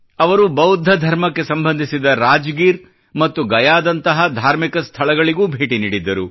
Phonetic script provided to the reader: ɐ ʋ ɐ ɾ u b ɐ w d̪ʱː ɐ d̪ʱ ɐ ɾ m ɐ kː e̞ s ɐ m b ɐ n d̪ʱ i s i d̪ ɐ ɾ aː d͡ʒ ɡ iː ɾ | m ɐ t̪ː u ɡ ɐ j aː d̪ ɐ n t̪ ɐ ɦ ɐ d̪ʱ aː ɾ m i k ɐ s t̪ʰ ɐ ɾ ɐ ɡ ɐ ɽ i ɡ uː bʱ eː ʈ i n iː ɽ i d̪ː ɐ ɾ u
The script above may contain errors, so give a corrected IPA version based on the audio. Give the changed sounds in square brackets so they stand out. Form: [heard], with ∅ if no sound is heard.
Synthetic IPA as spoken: ɐ ʋ ɐ ɾ u b ɐ w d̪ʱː ɐ d̪ʱ ɐ ɾ m ɐ kː e̞ s ɐ m b ɐ n d̪ʱ i s i d̪ ɐ ɾ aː d͡ʒ ɡ iː ɾ | m ɐ t̪ː u ɡ ɐ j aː d̪ ɐ n t̪ ɐ ɦ ɐ d̪ʱ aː ɾ m i k ɐ s t̪ʰ ɐ [ɭ] ɐ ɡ ɐ [ɭ] i ɡ uː bʱ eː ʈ i n iː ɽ i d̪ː ɐ ɾ u